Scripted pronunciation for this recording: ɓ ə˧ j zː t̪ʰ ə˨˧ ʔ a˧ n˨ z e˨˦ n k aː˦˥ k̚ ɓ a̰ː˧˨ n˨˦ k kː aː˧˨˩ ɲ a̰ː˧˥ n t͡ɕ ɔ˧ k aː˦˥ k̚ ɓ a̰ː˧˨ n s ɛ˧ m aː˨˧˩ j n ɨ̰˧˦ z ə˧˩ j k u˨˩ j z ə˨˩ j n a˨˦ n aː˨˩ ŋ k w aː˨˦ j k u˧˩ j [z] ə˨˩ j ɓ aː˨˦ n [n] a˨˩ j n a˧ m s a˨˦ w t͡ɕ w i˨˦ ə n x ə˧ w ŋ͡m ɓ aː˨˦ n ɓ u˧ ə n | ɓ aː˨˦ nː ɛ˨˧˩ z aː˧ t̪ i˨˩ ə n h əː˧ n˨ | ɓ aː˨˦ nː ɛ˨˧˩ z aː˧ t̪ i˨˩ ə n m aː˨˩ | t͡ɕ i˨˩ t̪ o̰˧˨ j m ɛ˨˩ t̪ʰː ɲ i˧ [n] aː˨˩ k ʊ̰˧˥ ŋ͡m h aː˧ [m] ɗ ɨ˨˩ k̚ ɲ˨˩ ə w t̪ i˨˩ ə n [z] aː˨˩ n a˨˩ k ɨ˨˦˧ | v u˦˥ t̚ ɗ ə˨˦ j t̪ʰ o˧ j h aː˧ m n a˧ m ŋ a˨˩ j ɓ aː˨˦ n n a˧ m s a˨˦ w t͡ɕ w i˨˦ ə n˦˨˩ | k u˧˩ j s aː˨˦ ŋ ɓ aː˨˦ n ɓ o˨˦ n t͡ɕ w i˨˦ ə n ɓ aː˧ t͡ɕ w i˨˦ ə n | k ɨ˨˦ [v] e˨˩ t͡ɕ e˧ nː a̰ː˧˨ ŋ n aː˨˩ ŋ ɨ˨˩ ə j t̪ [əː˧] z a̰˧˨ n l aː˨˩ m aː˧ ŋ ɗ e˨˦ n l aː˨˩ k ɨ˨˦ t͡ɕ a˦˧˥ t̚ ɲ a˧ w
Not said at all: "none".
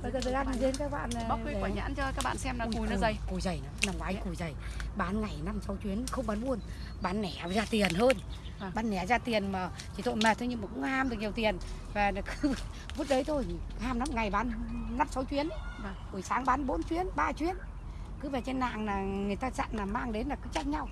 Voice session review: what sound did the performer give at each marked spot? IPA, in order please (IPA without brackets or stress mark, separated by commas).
z, ŋ, m, m, v, v, aː˧